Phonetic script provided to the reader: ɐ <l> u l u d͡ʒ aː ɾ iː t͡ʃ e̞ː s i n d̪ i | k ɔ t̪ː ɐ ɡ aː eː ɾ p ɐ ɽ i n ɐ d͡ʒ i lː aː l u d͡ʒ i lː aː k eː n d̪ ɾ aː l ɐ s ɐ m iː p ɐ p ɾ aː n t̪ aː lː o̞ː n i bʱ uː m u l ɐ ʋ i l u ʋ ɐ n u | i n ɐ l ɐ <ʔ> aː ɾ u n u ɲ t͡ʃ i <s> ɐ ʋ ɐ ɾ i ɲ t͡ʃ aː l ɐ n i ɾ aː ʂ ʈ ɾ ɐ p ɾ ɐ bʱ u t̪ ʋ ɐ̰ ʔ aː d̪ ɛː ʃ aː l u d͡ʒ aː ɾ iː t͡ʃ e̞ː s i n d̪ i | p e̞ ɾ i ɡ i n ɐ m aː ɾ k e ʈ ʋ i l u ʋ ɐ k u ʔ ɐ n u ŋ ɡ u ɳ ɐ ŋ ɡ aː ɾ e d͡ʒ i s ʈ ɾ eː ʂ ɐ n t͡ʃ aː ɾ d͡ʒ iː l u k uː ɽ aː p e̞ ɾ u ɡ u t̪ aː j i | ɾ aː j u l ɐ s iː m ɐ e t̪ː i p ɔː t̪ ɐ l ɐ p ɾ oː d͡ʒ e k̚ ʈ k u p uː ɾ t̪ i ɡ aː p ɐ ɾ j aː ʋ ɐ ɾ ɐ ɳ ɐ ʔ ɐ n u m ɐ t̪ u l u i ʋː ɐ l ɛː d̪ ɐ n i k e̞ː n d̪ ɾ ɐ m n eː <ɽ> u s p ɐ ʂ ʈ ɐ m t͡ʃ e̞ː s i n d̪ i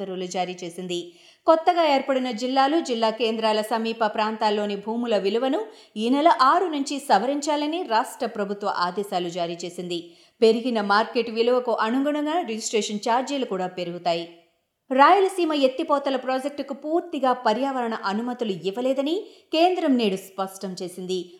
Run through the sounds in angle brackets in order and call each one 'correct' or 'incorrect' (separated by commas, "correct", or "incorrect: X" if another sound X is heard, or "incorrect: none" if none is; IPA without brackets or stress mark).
incorrect: ɾ, correct, correct, correct